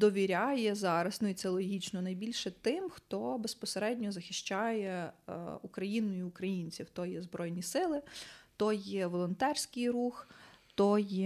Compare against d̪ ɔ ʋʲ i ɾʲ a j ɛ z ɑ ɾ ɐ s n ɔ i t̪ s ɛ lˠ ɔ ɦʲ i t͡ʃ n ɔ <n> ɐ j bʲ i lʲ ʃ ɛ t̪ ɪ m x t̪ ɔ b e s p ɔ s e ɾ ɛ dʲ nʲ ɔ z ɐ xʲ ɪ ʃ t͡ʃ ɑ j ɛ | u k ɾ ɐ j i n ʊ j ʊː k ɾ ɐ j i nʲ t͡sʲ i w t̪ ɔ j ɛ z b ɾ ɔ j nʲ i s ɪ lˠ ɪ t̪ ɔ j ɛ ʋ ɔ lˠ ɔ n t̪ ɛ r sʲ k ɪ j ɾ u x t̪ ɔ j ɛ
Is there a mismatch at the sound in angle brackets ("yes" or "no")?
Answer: no